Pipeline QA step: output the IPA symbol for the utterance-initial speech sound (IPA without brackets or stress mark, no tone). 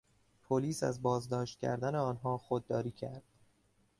pʰ